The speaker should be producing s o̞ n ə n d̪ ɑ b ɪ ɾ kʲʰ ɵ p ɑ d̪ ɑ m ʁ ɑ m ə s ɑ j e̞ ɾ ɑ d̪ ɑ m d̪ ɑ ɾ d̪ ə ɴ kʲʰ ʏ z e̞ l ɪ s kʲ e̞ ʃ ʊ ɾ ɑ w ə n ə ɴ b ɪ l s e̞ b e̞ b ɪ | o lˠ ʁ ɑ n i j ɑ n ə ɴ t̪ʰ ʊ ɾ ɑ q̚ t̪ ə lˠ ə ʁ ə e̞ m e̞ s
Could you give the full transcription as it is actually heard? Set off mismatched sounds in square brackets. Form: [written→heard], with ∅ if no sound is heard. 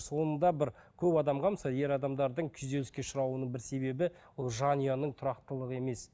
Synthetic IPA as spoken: s o̞ n ə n d̪ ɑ b ɪ ɾ kʲʰ ɵ p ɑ d̪ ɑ m ʁ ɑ m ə s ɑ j e̞ ɾ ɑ d̪ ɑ m d̪ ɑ ɾ d̪ ə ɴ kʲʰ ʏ z e̞ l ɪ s kʲ e̞ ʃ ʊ ɾ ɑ w ə n ə ɴ b ɪ [l→ɾ] s e̞ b e̞ b ɪ | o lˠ [ʁ→ʒ] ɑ n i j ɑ n ə ɴ t̪ʰ ʊ ɾ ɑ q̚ t̪ ə lˠ ə ʁ ə e̞ m e̞ s